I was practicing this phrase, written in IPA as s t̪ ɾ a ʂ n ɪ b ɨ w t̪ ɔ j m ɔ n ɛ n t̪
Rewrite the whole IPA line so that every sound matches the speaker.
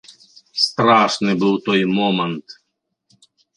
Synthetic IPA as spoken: s t̪ ɾ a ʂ n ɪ b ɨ w t̪ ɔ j m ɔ m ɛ n t̪